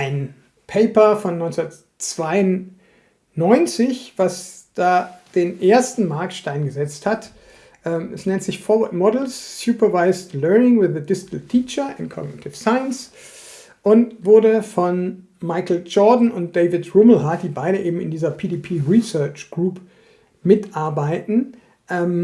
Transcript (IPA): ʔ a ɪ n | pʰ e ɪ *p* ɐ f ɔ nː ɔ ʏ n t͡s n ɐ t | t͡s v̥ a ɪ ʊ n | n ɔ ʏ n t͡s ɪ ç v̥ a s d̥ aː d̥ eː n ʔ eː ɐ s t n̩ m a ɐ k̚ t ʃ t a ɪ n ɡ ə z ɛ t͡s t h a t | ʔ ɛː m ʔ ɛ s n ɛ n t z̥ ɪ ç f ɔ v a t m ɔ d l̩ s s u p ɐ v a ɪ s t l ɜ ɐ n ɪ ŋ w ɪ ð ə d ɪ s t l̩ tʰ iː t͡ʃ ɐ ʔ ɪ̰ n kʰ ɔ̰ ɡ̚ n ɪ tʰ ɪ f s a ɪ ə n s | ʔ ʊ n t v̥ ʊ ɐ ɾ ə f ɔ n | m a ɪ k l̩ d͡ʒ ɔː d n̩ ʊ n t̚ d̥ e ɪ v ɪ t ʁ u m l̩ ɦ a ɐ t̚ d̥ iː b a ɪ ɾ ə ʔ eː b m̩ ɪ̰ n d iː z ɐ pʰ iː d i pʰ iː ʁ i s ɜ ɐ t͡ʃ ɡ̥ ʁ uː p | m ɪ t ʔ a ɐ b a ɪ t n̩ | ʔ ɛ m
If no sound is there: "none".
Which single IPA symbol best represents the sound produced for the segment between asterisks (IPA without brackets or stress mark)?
p